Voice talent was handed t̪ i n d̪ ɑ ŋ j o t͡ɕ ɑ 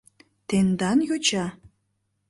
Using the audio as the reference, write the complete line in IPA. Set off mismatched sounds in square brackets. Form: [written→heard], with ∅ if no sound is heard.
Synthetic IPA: t̪ [i→e] n d̪ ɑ [ŋ→n] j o t͡ɕ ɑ